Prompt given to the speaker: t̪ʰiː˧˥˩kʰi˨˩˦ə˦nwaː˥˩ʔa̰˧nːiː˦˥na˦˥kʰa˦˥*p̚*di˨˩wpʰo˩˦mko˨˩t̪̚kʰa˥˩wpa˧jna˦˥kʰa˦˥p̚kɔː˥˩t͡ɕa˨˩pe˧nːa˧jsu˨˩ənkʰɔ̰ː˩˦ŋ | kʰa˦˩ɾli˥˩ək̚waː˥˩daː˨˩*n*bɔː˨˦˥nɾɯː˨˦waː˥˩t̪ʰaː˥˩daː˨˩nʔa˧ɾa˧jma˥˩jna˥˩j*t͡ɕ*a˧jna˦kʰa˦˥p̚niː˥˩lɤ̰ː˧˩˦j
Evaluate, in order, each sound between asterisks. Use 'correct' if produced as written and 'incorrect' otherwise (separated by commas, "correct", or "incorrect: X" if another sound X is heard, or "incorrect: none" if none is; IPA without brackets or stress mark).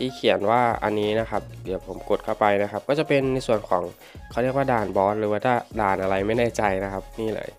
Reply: correct, correct, correct